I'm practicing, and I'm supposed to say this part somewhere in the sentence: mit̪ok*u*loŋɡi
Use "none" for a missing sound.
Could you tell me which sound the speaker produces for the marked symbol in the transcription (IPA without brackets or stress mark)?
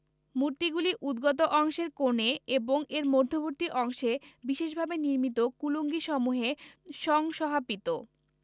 u